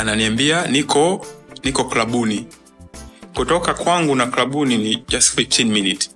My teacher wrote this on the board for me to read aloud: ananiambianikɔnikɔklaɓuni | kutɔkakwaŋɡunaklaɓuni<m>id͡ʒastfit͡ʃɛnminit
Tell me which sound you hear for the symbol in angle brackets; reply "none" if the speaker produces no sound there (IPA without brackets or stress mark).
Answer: n